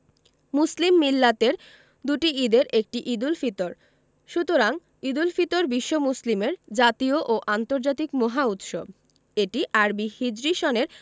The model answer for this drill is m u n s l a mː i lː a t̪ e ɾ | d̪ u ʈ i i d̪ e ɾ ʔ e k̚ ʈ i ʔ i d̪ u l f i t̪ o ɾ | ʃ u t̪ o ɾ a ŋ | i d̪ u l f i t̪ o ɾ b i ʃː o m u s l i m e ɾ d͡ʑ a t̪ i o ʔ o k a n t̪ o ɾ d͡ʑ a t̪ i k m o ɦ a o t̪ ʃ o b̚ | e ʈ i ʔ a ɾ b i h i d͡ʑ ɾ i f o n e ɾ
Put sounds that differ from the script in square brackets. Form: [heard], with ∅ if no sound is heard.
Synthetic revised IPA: m u [∅] s l [i] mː i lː a t̪ e ɾ | d̪ u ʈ i i d̪ e ɾ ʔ e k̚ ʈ i ʔ i d̪ u l f i t̪ o ɾ | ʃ u t̪ o ɾ a ŋ | i d̪ u l f i t̪ o ɾ b i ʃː o m u s l i m e ɾ d͡ʑ a t̪ i o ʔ o [ʔ] a n t̪ o ɾ d͡ʑ a t̪ i k m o ɦ a [u] t̪ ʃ o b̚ | e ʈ i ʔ a ɾ b i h i d͡ʑ ɾ i [ʃ] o n e ɾ